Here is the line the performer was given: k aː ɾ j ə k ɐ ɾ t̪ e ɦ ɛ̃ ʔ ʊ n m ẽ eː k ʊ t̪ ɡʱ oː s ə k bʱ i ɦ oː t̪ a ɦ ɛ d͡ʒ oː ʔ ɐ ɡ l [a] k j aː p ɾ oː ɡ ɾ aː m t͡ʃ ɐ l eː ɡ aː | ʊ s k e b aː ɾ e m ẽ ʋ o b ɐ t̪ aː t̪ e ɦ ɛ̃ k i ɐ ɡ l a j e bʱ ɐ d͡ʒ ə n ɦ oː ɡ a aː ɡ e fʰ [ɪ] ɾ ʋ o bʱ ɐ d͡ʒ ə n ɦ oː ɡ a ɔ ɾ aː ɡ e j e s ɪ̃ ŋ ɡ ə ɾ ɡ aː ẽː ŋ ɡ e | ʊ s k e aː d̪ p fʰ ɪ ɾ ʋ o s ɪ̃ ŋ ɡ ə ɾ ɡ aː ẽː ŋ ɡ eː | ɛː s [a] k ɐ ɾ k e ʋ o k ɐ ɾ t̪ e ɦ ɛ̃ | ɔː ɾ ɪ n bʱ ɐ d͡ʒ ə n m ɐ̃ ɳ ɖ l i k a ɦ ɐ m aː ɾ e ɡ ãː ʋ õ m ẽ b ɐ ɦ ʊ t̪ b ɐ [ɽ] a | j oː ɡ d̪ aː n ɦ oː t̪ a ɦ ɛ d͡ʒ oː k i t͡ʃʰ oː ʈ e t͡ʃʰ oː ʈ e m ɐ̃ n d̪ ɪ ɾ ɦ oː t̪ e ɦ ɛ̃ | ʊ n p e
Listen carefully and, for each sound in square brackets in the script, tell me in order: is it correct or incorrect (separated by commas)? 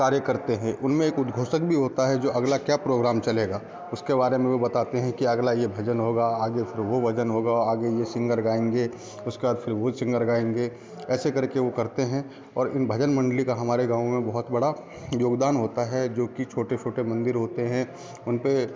correct, correct, incorrect, correct